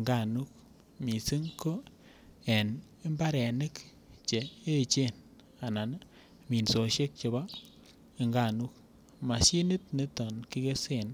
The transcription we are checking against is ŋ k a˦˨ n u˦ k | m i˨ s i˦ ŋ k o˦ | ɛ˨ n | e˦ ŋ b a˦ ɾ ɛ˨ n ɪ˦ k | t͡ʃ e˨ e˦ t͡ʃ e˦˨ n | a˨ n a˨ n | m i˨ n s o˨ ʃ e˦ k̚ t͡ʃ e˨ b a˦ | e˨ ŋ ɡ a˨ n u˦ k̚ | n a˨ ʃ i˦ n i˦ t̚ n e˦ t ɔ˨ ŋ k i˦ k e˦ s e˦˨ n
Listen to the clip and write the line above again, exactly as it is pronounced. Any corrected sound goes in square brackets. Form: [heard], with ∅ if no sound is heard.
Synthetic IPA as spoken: ŋ [ɡ] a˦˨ n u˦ k | m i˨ s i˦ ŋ k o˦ | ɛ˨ n | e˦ [m] b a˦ ɾ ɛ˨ n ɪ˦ k | t͡ʃ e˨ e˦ t͡ʃ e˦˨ n | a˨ n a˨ n | m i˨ n s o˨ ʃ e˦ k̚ t͡ʃ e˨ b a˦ | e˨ ŋ ɡ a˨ n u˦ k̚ | [m] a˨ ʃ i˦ n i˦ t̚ n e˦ t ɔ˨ [n] k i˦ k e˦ s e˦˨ n